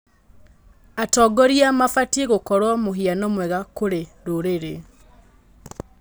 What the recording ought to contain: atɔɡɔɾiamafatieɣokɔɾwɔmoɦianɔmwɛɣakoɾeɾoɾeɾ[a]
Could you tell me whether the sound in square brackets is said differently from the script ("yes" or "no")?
yes